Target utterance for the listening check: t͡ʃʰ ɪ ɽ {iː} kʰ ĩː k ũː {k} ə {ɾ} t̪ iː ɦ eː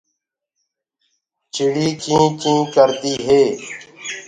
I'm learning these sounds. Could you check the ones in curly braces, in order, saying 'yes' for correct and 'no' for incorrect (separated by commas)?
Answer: yes, yes, yes